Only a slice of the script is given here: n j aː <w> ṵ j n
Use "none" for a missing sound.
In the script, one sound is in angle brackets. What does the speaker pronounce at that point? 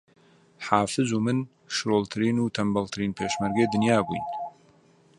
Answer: b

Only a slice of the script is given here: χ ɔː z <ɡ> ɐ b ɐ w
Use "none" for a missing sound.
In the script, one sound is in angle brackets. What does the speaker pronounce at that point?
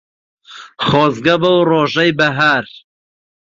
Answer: ɡ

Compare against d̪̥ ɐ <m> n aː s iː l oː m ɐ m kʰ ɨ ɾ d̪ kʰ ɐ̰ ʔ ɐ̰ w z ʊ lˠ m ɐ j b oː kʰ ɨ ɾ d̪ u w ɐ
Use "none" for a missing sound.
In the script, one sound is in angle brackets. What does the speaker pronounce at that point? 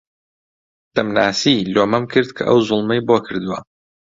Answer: m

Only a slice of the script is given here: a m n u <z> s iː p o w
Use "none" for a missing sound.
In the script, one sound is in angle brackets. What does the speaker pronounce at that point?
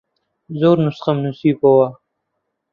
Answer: none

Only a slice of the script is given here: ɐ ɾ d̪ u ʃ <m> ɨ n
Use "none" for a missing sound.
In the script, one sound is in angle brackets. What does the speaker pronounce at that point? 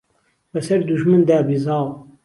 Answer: m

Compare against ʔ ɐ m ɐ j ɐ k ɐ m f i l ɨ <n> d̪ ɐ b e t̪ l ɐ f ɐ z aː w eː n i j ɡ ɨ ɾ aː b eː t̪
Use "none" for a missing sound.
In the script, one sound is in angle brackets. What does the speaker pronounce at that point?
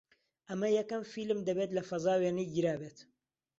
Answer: m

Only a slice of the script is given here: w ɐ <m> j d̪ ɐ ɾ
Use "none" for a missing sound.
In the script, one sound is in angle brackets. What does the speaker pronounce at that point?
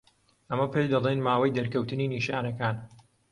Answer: none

